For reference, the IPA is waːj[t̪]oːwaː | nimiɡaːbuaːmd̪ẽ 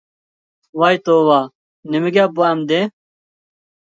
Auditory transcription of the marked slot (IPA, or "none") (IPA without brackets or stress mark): t̪